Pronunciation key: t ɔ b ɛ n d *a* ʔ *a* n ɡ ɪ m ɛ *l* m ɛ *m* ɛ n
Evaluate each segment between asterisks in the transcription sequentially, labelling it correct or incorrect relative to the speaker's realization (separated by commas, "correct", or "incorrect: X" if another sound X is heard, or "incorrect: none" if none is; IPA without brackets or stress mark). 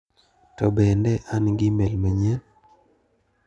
incorrect: ɛ, correct, correct, incorrect: ɲ